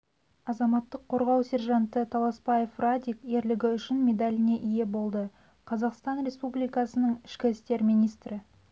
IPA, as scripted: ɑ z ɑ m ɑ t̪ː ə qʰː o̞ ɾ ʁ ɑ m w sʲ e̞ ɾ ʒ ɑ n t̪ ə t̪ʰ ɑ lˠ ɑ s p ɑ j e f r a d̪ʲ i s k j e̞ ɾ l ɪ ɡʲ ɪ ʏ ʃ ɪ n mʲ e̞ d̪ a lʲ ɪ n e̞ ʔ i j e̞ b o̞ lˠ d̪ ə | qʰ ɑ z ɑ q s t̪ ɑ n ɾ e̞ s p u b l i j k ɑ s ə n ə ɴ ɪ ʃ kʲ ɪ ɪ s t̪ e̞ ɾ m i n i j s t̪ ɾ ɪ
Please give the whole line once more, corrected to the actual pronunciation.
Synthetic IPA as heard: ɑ z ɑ m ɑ t̪ː ə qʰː o̞ ɾ ʁ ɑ w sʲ e̞ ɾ ʒ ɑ n t̪ ə t̪ʰ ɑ lˠ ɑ s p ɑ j e f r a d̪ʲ i k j e̞ ɾ l ɪ ɡʲ ɪ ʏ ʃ ɪ n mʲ e̞ d̪ a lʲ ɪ n e̞ ʔ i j e̞ b o̞ lˠ d̪ ə | qʰ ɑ z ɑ q s t̪ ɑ n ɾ e̞ s p u b l i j k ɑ s ə n ə ɴ ɪ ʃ kʲ ɪ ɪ s t̪ e̞ ɾ m i n i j s t̪ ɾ ɪ